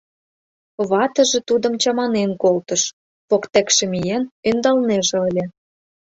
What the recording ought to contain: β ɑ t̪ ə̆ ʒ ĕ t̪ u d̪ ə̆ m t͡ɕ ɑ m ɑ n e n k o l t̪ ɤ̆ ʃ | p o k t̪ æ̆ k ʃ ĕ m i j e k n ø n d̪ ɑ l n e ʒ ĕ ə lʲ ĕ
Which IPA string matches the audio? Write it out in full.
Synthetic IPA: β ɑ t̪ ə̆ ʒ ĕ t̪ u d̪ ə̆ m t͡ɕ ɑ m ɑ n e n k o l t̪ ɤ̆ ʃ | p o k t̪ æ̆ k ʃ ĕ m i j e n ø n d̪ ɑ l n e ʒ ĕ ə lʲ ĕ

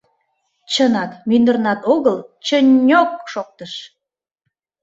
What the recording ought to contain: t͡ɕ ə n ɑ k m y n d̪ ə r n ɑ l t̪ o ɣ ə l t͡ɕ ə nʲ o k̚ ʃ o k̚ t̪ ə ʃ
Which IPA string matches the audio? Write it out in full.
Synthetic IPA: t͡ɕ ə n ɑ k m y n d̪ ə r n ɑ t̪ o ɣ ə l t͡ɕ ə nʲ o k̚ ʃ o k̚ t̪ ə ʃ

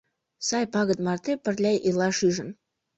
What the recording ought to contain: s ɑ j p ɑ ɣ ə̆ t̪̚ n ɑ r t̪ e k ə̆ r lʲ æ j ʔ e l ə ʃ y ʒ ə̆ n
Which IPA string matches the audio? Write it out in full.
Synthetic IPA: s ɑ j p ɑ ɣ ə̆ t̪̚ m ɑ r t̪ e p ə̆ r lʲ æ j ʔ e l ɑ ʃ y ʒ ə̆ n

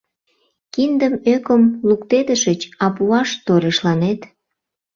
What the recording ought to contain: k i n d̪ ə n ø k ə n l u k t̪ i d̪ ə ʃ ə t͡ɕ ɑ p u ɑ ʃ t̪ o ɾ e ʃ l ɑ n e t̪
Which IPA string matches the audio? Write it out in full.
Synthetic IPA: k i n d̪ ə m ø k ə m l u k t̪ e d̪ ə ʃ ə t͡ɕ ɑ p u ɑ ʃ t̪ o ɾ e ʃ l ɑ n e t̪

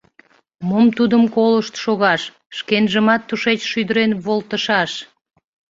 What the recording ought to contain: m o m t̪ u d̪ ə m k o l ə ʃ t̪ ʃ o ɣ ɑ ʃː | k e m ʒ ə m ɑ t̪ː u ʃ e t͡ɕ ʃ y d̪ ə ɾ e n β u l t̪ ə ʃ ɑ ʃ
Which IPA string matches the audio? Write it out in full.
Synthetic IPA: m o m t̪ u d̪ ə m k o l ə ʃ t̪ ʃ o ɣ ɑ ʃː | k e n ʒ ə m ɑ t̪ː u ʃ e t͡ɕ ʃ y d̪ ə ɾ e n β o l t̪ ə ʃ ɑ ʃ

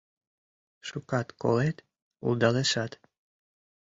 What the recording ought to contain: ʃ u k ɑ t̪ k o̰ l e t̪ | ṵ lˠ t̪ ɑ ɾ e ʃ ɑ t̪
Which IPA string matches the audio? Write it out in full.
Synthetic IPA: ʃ u k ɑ t̪ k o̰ l e t̪ | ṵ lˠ d̪ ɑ l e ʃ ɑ t̪

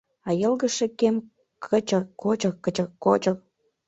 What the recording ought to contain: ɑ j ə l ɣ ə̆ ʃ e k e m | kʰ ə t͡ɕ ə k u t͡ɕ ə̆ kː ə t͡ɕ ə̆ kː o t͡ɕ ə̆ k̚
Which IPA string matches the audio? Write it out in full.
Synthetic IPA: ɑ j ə l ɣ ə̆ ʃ e k e m | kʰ ə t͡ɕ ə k o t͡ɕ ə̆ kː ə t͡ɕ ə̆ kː o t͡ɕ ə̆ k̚

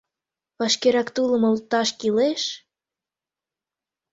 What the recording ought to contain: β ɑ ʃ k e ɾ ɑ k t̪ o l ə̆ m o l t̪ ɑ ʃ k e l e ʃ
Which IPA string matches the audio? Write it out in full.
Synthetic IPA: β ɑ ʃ k e ɾ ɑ k t̪ u l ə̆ m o l t̪ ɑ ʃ k i l e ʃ

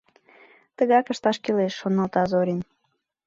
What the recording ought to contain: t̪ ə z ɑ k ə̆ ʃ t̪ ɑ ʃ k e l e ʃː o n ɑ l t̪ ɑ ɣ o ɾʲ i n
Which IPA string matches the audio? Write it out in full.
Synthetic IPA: t̪ ə ɣ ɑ k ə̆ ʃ t̪ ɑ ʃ k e l e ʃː o n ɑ l t̪ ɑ z o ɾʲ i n

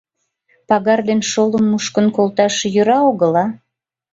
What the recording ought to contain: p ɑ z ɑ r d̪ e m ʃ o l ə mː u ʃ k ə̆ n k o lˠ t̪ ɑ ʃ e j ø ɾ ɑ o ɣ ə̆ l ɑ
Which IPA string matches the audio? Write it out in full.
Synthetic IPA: p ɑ ɣ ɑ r d̪ e n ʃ o l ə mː u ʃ k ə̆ n k o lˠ t̪ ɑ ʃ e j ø ɾ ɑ o ɣ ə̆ l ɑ

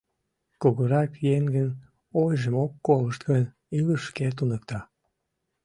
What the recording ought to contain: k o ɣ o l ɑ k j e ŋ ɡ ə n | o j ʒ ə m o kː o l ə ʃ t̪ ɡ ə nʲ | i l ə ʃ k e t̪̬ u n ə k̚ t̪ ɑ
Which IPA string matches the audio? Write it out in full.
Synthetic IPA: k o ɣ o ɾ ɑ k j e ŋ ɡ ə n | o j ʒ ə m o kː o l ə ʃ t̪ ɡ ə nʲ | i l ə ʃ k e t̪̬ u n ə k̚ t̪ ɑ

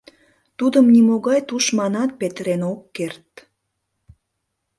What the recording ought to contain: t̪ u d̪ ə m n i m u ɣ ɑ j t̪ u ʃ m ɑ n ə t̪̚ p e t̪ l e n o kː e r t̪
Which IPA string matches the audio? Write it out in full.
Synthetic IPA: t̪ u d̪ ə m n i m o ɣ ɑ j t̪ u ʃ m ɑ n ɑ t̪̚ p e t̪ ɾ e n o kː e r t̪

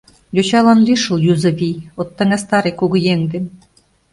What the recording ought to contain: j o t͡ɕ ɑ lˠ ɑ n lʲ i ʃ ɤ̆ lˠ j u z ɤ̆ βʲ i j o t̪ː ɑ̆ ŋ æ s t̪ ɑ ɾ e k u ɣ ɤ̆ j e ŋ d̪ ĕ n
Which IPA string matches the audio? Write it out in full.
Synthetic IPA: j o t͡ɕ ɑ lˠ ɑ n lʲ i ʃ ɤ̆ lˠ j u z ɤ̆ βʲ i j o t̪ː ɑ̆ ŋ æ s t̪ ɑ ɾ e k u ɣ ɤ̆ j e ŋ d̪ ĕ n

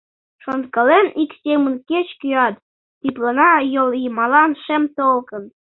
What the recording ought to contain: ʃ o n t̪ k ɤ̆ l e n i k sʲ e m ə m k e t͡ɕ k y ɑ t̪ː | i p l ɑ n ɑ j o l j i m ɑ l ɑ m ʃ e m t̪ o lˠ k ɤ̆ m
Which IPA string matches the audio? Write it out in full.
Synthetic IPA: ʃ o n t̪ k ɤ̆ l e n i k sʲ e m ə n k e t͡ɕ k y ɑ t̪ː | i p l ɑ n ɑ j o l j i m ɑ l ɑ n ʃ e m t̪ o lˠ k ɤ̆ n

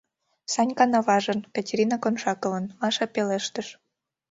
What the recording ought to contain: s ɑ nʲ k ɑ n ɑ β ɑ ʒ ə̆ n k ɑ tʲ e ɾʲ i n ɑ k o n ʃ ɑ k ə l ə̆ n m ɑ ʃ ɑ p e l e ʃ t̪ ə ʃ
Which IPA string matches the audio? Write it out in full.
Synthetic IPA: s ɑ nʲ k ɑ n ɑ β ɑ ʒ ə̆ n k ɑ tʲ e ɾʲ i n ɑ k o n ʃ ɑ k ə l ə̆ n m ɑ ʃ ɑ p e l e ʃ t̪ ə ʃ

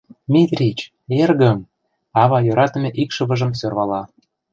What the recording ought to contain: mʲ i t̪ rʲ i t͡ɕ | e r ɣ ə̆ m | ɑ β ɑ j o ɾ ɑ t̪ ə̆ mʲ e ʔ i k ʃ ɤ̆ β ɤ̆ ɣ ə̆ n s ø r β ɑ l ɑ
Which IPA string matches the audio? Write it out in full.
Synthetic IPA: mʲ i t̪ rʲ i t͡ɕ | e r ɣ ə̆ m | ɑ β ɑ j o ɾ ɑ t̪ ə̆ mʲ e ʔ i k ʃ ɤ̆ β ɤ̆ ʒ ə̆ m s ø r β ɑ l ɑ

